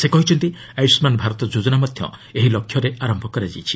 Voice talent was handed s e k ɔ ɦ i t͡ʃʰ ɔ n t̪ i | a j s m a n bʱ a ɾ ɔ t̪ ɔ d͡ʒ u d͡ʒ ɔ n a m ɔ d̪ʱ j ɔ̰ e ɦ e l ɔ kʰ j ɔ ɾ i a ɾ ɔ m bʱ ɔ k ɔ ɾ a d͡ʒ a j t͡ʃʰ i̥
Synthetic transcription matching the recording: s e k ɔ ɦ i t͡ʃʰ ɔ n t̪ i | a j s m a n bʱ a ɾ ɔ t̪ ɔ d͡ʒ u d͡ʒ ɔ n a m ɔ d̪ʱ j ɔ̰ e ɦ i l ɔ kʰ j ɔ ɾ e a ɾ ɔ m bʱ ɔ k ɔ ɾ a d͡ʒ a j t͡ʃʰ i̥

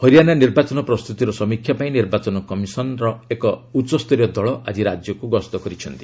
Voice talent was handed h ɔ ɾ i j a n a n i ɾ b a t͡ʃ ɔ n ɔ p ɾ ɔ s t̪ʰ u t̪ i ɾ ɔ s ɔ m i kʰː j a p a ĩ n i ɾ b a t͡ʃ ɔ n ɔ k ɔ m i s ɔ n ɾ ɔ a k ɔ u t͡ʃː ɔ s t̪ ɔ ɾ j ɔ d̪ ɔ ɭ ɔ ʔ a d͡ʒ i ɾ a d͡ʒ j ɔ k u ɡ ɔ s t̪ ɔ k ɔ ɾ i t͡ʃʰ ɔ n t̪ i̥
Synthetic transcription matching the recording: h ɔ ɾ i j a n a n i ɾ b a t͡ʃ ɔ n ɔ p ɾ ɔ s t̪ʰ u t̪ i ɾ ɔ s ɔ m i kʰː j a p a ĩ n i ɾ b a t͡ʃ ɔ n ɔ k ɔ m i s ɔ n ɾ ɔ e k ɔ u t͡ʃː ɔ s t̪ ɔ ɾ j ɔ d̪ ɔ ɭ ɔ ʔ a d͡ʒ i ɾ a d͡ʒ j ɔ k u ɡ ɔ s t̪ ɔ k ɔ ɾ i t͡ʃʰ ɔ n t̪ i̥

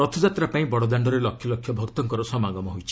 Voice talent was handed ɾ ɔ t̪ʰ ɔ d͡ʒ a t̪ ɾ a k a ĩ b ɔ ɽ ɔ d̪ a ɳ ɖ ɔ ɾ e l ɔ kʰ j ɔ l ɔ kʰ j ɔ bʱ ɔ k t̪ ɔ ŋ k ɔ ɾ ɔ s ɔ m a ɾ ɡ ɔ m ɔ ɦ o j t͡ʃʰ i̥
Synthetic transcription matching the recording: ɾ ɔ t̪ʰ ɔ d͡ʒ a t̪ ɾ a p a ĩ b ɔ ɽ ɔ d̪ a ɳ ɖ ɔ ɾ e l ɔ kʰ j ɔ l ɔ kʰ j ɔ bʱ ɔ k t̪ ɔ ŋ k ɔ ɾ ɔ s ɔ m a ɡ ɔ m ɔ ɦ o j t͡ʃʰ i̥

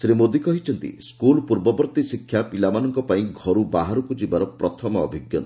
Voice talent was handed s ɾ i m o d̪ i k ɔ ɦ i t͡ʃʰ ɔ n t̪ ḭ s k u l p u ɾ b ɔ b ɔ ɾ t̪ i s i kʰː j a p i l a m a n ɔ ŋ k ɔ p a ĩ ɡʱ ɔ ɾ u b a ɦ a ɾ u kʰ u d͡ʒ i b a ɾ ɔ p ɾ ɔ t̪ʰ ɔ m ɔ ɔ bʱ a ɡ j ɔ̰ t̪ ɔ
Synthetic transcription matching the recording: s ɾ i m o d̪ i k ɔ ɦ i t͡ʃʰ ɔ n t̪ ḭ s k u l p u ɾ b ɔ b ɔ ɾ t̪ i s i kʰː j a p i l a m a n ɔ ŋ k ɔ p a ĩ ɡʱ ɔ ɾ u b a ɦ a ɾ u k u d͡ʒ i b a ɾ ɔ p ɾ ɔ t̪ʰ ɔ m ɔ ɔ bʱ i ɡ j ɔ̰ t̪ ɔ

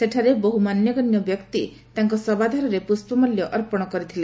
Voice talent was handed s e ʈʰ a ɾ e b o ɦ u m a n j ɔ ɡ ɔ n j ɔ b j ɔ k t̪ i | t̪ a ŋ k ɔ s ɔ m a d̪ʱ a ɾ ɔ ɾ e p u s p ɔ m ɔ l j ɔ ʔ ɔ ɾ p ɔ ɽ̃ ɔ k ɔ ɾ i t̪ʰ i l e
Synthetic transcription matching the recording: s e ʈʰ a ɾ e b o ɦ u m a n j ɔ ɡ ɔ n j ɔ b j ɔ k t̪ i | t̪ a ŋ k ɔ s ɔ b a d̪ʱ a ɾ ɔ ɾ e p u s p ɔ m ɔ l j ɔ ʔ ɔ ɾ p ɔ ɽ̃ ɔ k ɔ ɾ i t̪ʰ i l e

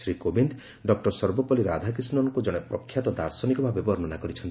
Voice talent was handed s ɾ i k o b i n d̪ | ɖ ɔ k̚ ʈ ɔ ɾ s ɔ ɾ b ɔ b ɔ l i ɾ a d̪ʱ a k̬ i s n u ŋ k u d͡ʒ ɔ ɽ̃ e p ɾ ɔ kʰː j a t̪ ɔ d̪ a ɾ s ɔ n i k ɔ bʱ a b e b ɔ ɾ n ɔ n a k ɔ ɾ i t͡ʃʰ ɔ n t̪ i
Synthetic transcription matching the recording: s ɾ i k o b i n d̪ | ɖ ɔ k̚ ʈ ɔ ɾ s ɔ ɾ b ɔ p ɔ l i ɾ a d̪ʱ a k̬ i s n ɔ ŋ k u d͡ʒ ɔ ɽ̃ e p ɾ ɔ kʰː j a t̪ ɔ d̪ a ɾ s ɔ n i k ɔ bʱ a b e b ɔ ɾ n ɔ n a k ɔ ɾ i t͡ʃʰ ɔ n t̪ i

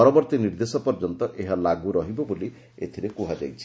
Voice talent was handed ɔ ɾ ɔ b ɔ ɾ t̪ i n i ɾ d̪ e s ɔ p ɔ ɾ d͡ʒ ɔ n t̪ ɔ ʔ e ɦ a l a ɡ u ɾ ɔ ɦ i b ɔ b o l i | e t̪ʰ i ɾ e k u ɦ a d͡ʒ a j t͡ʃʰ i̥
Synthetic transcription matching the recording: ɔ ɾ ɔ b ɔ ɾ t̪ i n i ɾ d̪ e s ɔ p ɔ ɾ d͡ʒ ɔ n t̪ ɔ ʔ e ɦ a l a ɡ u ɾ ɔ ɦ i b ɔ b o l i | e t̪ʰ i ɾ e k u ɦ a d͡ʒ a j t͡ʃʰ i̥

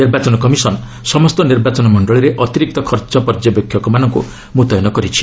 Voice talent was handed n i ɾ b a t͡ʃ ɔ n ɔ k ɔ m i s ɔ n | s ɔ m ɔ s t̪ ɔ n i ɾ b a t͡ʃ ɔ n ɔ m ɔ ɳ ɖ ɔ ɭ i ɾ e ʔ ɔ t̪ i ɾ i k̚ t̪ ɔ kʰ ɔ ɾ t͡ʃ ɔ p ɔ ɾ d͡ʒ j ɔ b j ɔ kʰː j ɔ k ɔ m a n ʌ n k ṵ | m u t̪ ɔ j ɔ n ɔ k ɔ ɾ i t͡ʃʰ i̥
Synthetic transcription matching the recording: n i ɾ b a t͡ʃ ɔ n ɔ k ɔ m i s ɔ n | s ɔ m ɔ s t̪ ɔ n i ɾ b a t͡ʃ ɔ n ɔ m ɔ ɳ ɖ ɔ ɭ i ɾ e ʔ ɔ t̪ i ɾ i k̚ t̪ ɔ kʰ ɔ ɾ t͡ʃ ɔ p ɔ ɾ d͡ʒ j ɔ b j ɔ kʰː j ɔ k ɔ m a n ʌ ŋ k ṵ | m u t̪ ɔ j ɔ n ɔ k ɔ ɾ i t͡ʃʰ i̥

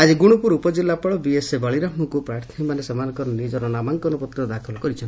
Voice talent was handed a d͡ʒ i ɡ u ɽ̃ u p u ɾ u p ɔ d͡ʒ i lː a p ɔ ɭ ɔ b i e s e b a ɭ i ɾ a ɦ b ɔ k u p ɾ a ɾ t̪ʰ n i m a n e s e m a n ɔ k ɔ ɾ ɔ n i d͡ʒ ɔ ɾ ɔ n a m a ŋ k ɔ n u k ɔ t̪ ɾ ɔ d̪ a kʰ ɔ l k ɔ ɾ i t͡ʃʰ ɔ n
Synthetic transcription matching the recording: a d͡ʒ i ɡ u ɽ̃ u p u ɾ u p ɔ d͡ʒ i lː a p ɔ ɭ ɔ b i e s e b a ɭ i ɾ a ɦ m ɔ k u p ɾ a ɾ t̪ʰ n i m a n e s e m a n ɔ k ɔ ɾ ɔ n i d͡ʒ ɔ ɾ ɔ n a m a ŋ k ɔ n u p ɔ t̪ ɾ ɔ d̪ a kʰ ɔ l k ɔ ɾ i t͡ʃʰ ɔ n

